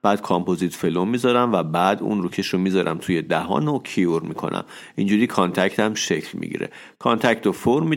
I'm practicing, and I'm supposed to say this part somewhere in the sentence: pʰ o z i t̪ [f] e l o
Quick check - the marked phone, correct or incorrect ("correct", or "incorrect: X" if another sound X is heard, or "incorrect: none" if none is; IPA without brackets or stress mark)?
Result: correct